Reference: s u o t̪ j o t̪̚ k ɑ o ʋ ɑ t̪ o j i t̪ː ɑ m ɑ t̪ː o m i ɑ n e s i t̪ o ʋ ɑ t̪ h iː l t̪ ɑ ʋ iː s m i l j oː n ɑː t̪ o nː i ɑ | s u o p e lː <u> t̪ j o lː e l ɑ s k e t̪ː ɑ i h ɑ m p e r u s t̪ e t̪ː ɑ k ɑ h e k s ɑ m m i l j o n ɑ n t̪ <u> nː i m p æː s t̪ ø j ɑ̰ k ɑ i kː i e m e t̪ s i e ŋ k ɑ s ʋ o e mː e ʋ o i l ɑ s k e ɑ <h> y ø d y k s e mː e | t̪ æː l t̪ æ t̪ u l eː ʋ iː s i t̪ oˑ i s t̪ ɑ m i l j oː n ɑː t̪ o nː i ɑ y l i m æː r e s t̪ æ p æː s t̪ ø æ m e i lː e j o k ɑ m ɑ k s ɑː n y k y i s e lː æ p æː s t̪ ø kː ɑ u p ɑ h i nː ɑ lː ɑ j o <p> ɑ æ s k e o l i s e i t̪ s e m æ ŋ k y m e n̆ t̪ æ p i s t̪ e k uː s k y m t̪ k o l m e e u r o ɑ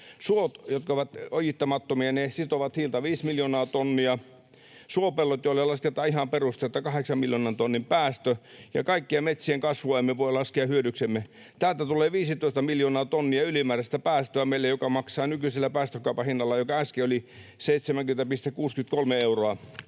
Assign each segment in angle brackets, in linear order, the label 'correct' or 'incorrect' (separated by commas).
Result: incorrect, incorrect, correct, incorrect